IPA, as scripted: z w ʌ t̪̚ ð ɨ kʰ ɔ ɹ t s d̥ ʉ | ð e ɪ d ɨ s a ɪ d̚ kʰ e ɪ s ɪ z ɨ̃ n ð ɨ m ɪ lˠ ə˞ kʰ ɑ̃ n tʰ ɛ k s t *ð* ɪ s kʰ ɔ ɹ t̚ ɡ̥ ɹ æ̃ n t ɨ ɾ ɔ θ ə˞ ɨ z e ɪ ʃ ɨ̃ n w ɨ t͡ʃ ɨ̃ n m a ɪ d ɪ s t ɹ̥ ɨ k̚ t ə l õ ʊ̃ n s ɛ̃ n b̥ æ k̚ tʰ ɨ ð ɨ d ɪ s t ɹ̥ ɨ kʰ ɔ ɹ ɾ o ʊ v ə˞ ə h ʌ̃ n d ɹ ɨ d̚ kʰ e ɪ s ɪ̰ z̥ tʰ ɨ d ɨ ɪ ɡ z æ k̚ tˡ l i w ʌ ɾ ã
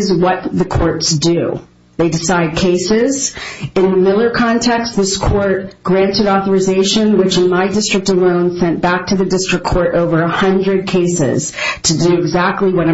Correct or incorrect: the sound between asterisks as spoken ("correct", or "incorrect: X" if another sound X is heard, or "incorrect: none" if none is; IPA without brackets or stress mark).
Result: correct